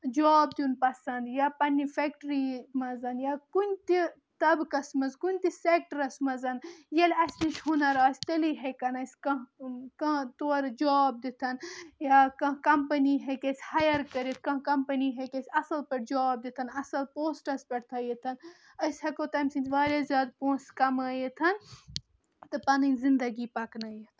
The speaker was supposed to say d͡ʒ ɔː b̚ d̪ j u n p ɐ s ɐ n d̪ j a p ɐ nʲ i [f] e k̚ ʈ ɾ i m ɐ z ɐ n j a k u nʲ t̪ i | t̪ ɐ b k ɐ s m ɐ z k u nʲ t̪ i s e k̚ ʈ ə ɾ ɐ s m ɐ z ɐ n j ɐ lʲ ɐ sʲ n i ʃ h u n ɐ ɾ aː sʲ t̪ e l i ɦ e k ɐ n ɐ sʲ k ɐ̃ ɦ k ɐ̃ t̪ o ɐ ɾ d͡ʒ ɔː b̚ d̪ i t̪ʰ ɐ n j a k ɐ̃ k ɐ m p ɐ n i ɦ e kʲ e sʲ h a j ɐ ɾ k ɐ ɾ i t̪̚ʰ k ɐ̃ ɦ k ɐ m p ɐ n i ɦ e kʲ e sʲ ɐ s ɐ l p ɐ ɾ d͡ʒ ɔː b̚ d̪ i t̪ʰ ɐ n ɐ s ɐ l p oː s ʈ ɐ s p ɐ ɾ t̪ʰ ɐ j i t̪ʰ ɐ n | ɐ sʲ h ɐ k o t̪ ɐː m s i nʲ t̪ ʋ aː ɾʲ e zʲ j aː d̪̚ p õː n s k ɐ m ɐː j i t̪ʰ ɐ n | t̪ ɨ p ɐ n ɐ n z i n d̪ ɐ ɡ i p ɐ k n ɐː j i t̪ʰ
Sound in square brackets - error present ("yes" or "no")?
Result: no